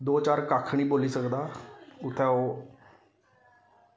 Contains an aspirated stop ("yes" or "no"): yes